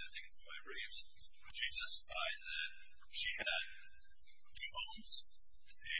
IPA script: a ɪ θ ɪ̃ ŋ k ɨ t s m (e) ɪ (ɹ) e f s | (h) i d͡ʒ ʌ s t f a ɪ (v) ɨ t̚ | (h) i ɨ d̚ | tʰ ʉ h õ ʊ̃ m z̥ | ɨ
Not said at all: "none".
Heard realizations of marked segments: a, ɹ, ʃ, ð, ʃ

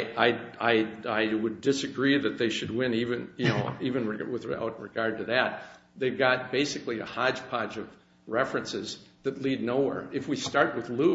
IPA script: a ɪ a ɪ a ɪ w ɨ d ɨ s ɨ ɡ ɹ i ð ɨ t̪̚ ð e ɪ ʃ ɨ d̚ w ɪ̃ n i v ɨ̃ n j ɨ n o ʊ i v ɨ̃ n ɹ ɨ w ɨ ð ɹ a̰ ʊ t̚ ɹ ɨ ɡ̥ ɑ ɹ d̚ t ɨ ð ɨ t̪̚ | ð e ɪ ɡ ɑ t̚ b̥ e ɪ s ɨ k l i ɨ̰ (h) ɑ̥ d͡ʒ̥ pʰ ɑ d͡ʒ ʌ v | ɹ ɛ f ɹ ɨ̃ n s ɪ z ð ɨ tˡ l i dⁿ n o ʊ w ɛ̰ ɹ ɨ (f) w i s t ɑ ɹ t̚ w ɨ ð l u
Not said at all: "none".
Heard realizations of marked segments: h, f

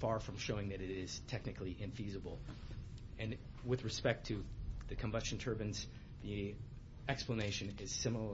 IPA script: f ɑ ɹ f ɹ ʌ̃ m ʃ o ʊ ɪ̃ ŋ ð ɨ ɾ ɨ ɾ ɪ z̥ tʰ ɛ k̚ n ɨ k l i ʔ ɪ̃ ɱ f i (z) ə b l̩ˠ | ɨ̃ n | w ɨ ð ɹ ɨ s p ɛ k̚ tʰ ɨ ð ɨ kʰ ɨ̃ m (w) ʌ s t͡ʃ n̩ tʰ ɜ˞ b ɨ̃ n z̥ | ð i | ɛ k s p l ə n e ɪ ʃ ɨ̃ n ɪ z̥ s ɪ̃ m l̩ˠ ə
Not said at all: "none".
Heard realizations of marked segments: z, b

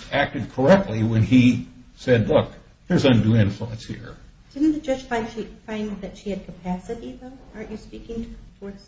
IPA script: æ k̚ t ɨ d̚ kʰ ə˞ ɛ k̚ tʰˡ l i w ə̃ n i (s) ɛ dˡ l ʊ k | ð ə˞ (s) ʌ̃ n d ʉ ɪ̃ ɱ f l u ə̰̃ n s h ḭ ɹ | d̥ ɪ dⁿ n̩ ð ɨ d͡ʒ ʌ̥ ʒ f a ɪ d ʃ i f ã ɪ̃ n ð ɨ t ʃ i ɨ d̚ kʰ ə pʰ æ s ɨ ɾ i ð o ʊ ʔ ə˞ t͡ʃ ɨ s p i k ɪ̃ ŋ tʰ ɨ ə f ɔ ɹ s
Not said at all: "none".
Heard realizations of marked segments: s, z

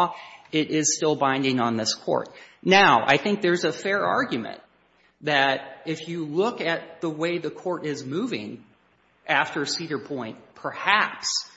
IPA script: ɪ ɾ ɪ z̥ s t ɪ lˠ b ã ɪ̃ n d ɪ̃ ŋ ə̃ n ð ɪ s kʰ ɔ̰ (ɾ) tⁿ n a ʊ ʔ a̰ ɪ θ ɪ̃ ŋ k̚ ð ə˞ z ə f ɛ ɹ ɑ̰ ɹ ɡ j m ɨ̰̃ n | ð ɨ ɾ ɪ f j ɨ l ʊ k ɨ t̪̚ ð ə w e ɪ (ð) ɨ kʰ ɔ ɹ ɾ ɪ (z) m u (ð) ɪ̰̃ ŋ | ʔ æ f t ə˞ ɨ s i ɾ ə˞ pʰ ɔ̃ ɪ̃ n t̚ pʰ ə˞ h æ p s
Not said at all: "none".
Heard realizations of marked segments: ɹ, ð, z, v

